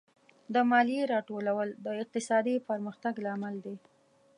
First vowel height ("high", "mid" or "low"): mid